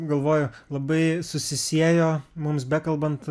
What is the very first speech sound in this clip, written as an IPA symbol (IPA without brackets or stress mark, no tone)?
ɡ